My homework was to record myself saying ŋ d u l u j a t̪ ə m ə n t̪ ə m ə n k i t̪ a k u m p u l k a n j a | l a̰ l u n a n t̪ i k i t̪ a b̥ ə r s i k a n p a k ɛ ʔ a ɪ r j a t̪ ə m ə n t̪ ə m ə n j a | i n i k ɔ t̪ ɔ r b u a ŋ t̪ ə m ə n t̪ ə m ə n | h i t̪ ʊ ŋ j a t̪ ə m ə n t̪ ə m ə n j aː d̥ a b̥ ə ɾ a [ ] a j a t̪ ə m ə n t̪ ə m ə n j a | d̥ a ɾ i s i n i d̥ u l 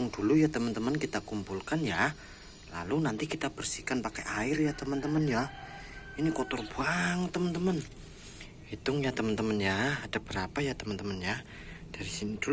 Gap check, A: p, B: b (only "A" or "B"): A